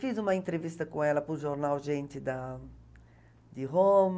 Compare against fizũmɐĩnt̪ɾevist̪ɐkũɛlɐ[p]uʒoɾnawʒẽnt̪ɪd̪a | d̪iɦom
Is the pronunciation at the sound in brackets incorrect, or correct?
correct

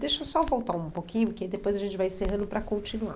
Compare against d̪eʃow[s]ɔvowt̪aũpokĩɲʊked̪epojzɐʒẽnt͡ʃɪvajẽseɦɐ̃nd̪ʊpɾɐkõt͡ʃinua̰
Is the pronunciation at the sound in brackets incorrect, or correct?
correct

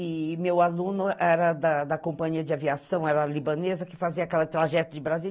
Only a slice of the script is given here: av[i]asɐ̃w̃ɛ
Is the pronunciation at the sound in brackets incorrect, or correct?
correct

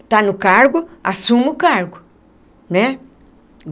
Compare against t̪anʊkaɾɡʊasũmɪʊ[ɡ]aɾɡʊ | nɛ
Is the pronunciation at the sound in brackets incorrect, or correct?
incorrect: k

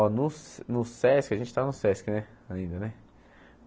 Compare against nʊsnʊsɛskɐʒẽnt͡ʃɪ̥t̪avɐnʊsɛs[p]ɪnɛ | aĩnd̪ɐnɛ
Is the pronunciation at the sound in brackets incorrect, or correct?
incorrect: k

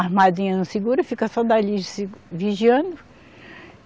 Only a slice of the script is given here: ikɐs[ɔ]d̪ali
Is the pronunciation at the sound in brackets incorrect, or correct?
correct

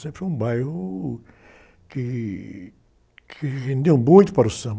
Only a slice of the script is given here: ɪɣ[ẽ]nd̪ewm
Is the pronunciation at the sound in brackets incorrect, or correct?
correct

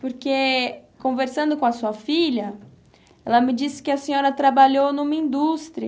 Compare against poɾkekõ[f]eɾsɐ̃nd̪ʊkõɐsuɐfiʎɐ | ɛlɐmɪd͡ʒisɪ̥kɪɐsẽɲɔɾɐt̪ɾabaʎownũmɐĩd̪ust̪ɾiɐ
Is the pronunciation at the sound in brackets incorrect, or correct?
incorrect: v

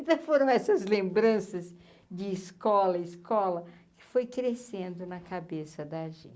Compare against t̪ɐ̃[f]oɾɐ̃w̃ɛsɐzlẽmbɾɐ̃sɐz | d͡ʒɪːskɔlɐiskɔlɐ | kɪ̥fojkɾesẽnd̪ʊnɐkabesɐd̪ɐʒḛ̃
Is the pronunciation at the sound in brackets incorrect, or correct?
correct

